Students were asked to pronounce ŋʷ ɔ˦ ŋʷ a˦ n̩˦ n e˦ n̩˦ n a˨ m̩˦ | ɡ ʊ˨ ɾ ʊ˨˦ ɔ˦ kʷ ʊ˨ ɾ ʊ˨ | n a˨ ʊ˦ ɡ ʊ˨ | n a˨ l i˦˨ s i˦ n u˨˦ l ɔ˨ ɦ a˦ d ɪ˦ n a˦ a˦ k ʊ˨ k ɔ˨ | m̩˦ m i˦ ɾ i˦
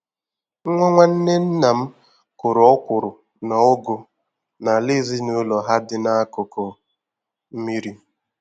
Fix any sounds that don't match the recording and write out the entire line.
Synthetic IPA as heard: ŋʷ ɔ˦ ŋʷ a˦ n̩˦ n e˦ n̩˦ n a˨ m̩˦ | k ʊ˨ ɾ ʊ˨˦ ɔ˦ kʷ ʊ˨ ɾ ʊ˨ | n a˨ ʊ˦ ɡ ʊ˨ | n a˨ l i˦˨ z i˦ n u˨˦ l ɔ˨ ɦ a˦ d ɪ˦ n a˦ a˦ k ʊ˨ k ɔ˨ | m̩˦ m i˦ ɾ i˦